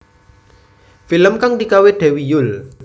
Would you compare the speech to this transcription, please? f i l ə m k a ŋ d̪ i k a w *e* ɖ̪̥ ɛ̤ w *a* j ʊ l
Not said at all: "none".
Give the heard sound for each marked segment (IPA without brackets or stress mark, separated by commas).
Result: e, i